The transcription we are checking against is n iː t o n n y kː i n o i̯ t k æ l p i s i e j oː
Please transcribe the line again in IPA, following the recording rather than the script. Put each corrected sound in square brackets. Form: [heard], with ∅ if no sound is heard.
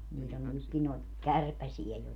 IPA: n iː t o n n y kː i n o i̯ t k æ [r] p [æ] s i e j [o]